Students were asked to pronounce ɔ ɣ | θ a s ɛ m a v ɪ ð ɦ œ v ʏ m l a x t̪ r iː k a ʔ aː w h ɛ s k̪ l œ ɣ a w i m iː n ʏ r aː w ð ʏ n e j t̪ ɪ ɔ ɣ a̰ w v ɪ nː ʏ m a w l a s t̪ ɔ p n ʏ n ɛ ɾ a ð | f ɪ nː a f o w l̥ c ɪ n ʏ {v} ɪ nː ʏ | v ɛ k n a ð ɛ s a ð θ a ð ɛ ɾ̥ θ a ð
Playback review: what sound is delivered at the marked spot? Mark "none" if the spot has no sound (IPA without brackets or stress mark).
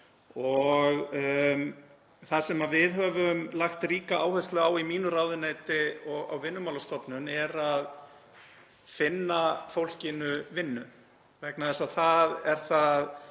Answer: v